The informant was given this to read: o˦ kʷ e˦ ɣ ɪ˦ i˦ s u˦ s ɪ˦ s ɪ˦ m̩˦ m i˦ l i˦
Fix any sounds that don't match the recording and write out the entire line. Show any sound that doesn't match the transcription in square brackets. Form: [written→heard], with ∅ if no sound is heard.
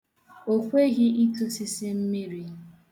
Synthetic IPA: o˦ kʷ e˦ ɣ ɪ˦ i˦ [s→t] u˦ s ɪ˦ s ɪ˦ m̩˦ m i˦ [l→ɾ] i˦